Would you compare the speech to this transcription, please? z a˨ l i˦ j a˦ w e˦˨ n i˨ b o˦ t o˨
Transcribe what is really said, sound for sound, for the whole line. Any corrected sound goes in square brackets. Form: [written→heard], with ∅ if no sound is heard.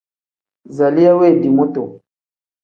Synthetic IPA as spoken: z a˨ l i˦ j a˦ w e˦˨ [n→d] i˨ [b→m] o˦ t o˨